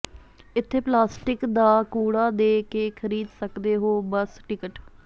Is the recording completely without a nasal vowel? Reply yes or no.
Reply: yes